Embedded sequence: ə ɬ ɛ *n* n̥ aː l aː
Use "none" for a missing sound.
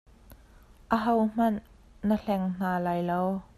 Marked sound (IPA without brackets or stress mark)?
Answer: ŋ